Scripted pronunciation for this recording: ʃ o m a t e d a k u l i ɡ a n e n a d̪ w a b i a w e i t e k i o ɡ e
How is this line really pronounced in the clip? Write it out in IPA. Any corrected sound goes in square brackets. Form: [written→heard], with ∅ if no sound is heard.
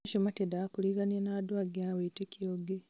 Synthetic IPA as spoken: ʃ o m a t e d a k u l i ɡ a n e n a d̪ w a [b→ɡ] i a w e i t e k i o ɡ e